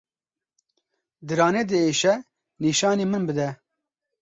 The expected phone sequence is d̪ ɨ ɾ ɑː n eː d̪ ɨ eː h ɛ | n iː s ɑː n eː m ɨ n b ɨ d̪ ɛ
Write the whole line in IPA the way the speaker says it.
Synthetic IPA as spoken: d̪ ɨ ɾ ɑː n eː d̪ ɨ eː ʃ ɛ | n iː ʃ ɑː n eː m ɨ n b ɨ d̪ ɛ